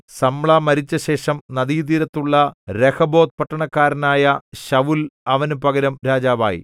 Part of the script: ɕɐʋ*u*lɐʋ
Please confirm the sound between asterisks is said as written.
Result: yes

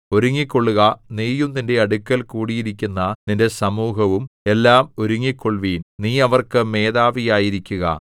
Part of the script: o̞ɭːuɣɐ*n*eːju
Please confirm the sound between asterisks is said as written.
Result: yes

